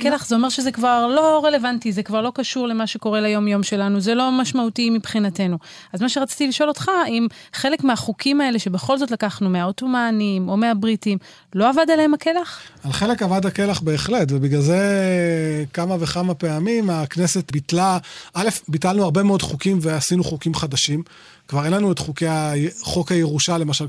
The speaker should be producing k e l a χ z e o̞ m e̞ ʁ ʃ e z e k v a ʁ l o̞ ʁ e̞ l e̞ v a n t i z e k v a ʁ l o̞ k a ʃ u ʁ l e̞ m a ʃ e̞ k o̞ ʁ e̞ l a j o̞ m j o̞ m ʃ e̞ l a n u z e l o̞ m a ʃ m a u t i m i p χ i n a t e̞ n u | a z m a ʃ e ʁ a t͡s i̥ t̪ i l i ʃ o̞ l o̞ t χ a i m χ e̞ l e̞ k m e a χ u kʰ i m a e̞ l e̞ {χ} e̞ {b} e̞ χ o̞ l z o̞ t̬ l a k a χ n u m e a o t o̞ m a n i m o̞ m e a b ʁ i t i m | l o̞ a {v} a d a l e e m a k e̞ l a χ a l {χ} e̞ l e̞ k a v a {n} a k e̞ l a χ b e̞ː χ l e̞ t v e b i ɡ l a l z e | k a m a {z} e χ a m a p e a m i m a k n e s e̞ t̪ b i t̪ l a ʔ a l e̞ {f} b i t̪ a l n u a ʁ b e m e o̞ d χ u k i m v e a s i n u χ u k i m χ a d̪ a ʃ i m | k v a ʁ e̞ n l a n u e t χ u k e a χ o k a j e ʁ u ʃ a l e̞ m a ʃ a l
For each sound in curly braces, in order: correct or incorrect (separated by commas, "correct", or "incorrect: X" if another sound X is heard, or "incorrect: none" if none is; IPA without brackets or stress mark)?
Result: incorrect: ʃ, correct, correct, correct, incorrect: d, incorrect: v, correct